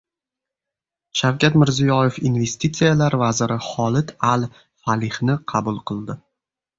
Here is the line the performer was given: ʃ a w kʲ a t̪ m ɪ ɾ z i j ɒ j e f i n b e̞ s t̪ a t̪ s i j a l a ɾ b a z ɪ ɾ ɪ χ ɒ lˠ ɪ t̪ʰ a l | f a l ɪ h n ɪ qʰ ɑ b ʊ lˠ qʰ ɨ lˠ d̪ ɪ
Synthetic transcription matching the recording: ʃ a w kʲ a t̪ m ɪ ɾ z i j ɒ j e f i n v e̞ s t̪ i t̪ s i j a l a ɾ v a z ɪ ɾ ɪ χ ɒ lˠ ɪ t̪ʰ a l | f a l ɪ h n ɪ qʰ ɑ b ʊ lˠ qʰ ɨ lˠ d̪ ɪ